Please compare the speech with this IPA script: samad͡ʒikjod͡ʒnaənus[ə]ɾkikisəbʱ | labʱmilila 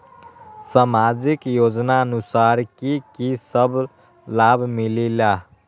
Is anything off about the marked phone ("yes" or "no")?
yes